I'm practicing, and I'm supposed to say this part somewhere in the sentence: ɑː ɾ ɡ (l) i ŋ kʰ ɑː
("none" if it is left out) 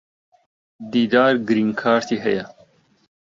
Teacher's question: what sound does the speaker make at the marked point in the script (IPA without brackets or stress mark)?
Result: ɾ